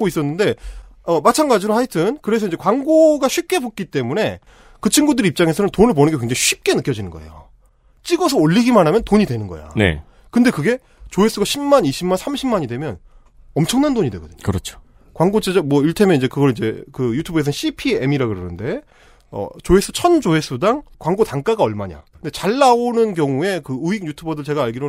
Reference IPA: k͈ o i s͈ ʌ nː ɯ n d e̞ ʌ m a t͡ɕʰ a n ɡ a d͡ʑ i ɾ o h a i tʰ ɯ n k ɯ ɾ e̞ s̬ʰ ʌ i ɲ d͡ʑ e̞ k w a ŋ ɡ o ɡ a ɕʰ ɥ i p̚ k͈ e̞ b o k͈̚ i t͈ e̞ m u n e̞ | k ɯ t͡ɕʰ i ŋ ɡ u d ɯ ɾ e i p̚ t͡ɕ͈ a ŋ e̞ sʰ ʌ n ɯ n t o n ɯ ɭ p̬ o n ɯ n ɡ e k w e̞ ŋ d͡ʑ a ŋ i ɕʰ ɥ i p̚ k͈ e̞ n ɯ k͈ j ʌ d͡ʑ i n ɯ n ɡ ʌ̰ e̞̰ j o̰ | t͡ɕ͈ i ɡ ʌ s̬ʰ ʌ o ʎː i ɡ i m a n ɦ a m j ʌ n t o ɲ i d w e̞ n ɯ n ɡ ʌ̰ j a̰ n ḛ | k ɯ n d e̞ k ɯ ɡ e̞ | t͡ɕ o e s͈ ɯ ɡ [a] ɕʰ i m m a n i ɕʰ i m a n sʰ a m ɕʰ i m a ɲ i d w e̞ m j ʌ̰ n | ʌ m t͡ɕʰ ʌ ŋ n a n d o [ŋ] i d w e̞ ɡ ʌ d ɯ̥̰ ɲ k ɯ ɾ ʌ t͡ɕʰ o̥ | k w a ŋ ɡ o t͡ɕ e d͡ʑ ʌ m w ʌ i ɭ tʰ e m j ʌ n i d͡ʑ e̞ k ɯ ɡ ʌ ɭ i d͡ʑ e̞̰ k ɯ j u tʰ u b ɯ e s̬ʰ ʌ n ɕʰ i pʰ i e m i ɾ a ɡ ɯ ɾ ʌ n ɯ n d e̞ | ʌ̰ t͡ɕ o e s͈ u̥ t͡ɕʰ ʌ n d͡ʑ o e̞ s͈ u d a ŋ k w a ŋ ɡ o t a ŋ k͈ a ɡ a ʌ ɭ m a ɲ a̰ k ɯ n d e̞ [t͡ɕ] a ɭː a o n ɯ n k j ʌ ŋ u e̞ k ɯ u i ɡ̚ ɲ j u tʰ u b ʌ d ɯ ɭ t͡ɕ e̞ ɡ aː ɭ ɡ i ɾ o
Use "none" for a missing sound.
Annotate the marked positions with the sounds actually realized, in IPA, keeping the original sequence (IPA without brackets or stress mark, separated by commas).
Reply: a, ɲ, t͡ɕ